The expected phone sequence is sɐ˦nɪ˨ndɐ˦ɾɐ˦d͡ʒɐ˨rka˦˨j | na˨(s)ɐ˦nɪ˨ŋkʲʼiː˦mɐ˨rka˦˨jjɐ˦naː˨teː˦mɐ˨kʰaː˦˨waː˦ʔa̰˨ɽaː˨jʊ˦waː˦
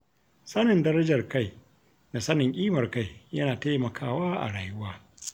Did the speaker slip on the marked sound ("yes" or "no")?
no